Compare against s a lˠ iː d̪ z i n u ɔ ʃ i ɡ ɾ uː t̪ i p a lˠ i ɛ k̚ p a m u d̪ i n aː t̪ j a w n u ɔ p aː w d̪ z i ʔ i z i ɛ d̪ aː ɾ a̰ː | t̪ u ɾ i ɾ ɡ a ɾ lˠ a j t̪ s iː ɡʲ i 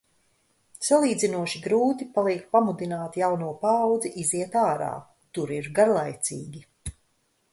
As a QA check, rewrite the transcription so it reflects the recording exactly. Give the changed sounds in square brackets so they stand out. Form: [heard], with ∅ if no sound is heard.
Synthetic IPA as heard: s a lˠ iː d̪ z i n u ɔ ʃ i ɡ ɾ uː t̪ i p a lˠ i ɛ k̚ p a m u d̪ i n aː t̪ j a w n u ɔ p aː w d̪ z i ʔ i z i ɛ [t̪] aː ɾ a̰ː | t̪ u ɾ i ɾ ɡ a ɾ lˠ a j t̪ s iː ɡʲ i